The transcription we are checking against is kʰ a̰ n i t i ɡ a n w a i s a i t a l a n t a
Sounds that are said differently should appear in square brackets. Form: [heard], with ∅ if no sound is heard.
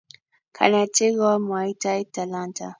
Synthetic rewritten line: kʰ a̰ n [a] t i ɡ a [m] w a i [t] a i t a l a n t a